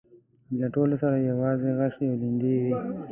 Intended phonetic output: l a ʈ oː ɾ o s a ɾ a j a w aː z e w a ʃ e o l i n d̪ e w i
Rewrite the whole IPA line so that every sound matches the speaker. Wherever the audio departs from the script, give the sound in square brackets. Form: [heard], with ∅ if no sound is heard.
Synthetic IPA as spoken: l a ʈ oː [l] o s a ɾ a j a w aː z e [ɣ] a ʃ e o l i n d̪ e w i